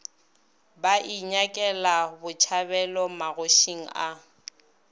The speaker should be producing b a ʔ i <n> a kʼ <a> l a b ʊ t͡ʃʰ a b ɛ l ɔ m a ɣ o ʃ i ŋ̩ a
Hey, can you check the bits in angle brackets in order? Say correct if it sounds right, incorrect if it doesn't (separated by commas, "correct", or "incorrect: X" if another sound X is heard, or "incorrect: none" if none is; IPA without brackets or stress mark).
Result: incorrect: ɲ, incorrect: ɛ